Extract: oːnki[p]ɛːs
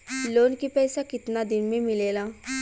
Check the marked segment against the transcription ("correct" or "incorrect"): correct